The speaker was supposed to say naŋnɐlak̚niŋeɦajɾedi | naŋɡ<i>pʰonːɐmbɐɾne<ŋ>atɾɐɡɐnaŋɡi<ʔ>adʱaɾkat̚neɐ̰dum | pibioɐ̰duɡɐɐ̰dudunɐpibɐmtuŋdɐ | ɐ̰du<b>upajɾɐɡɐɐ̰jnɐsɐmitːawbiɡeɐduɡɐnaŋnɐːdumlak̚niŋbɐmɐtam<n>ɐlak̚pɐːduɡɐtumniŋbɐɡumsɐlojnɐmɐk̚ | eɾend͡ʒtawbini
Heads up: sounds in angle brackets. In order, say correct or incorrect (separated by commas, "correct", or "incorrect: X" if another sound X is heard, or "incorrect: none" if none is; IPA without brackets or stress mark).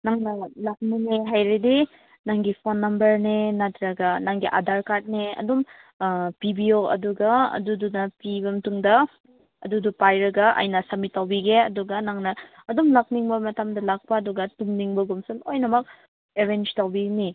correct, incorrect: n, correct, incorrect: d, incorrect: d